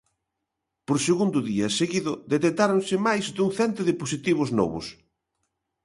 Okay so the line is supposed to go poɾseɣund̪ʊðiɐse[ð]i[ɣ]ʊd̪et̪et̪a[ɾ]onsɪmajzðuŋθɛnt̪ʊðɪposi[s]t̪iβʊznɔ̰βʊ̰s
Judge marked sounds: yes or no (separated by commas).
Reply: no, no, yes, no